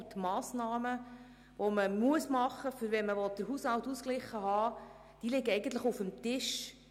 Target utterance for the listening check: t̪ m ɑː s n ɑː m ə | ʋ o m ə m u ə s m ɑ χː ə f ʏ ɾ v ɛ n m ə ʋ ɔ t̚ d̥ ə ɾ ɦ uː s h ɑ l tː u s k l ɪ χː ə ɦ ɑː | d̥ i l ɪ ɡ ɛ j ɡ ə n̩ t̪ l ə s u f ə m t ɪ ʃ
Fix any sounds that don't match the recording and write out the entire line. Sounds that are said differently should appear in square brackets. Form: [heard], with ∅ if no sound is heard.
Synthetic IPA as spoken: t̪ m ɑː s n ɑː m ə | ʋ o m ə m u ə s m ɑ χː ə f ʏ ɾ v ɛ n m ə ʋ ɔ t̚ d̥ ə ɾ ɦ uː s h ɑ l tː u s k l ɪ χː ə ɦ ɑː | d̥ i l ɪ ɡ ɛ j ɡ ə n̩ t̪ l ə [χ] u f ə m t ɪ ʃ